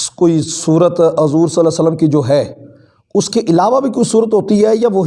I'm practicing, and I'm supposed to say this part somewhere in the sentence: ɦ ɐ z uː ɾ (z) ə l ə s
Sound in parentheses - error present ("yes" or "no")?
yes